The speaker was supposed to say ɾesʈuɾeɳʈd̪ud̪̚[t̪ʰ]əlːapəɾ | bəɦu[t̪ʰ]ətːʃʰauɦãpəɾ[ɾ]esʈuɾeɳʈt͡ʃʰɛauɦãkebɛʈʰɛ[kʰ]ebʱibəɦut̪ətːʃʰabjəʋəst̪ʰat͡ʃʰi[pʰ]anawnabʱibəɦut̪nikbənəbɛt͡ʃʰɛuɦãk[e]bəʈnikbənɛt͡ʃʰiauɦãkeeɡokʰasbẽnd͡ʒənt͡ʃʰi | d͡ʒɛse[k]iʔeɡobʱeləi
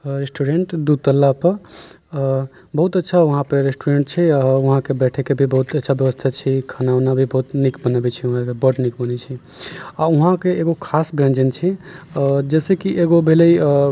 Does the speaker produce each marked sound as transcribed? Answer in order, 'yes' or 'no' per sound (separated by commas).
no, no, yes, no, no, yes, yes